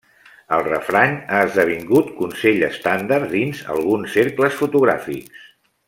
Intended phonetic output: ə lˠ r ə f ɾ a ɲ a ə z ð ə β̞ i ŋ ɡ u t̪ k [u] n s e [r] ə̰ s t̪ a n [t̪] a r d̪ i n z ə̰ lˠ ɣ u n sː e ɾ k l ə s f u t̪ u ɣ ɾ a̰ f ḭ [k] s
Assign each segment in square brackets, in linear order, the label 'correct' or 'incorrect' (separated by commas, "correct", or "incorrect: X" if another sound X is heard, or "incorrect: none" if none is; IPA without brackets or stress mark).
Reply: correct, incorrect: ʎ, incorrect: d̪, correct